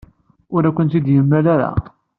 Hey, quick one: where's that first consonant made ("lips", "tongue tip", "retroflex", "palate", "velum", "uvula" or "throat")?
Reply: tongue tip